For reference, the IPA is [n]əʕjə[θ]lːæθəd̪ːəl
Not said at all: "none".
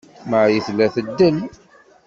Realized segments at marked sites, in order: m, θ

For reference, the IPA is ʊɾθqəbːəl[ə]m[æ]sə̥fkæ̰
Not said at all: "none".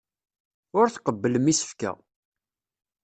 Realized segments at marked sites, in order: ə, i

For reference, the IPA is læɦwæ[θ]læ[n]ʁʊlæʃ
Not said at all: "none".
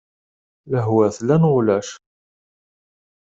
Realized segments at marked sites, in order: θ, n

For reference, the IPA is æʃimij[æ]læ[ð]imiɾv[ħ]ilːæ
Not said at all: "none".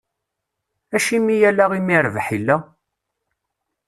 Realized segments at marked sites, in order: æ, ʁ, ħ

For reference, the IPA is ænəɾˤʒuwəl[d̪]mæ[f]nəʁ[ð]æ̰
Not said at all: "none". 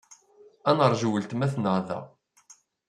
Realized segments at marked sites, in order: t̪, θ, ð

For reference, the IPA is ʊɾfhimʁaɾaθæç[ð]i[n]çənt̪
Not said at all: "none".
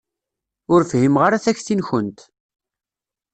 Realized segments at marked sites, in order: θ, n

